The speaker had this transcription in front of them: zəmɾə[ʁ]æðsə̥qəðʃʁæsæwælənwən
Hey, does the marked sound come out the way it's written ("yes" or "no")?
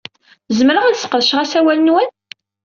yes